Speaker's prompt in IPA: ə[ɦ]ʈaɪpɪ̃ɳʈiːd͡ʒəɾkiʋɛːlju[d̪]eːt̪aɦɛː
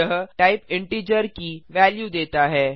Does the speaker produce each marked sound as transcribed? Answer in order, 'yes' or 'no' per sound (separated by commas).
yes, yes